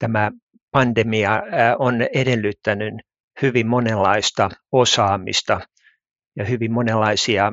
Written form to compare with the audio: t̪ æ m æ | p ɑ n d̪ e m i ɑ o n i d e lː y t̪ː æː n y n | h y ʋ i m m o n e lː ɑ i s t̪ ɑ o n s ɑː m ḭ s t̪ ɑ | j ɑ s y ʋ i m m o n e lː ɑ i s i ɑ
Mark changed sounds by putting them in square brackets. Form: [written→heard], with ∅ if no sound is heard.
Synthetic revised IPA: t̪ æ m æ | p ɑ n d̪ e m i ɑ o n [i→e] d e lː y t̪ː [æː→æ] n y n | h y ʋ i m m o n e lː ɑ i s t̪ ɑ o [n→∅] s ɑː m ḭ s t̪ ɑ | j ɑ [s→h] y ʋ i m m o n e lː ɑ i s i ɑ